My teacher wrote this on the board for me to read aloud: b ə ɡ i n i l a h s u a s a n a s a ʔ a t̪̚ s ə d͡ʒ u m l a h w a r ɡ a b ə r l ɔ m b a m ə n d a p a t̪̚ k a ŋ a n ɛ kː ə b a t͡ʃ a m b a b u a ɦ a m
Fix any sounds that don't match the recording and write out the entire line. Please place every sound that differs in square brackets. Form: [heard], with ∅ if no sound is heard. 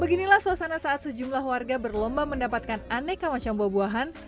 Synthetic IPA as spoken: b ə ɡ i n i l a h s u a s a n a s a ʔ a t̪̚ s ə d͡ʒ u m l a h w a r ɡ a b ə r l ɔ m b a m ə n d a p a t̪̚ k a [n] a n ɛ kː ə [m] a t͡ʃ a m b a b u a ɦ a [n]